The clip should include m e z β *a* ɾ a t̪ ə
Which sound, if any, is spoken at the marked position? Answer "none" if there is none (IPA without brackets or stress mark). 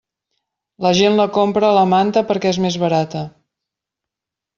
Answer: ə